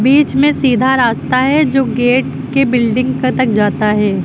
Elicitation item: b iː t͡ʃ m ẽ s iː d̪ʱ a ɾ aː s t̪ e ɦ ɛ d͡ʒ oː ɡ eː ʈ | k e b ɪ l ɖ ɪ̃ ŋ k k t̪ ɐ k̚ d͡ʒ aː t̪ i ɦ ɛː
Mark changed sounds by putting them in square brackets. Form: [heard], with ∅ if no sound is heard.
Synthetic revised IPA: b iː t͡ʃ m ẽ s iː d̪ʱ a ɾ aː s t̪ [a] ɦ ɛ d͡ʒ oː ɡ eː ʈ | k e b ɪ l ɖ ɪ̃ ŋ [ɡ] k t̪ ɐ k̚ d͡ʒ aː t̪ [a] ɦ ɛː